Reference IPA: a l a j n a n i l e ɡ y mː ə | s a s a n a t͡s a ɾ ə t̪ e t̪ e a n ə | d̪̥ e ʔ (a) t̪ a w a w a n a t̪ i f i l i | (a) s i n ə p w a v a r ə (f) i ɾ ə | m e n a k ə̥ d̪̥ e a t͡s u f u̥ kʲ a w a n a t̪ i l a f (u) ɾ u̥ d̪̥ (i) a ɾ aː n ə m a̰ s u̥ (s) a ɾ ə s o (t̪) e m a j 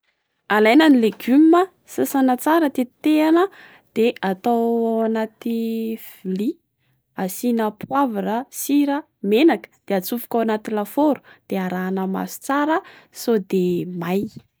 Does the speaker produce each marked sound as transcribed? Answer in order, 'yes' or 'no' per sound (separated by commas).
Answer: yes, yes, no, no, no, no, no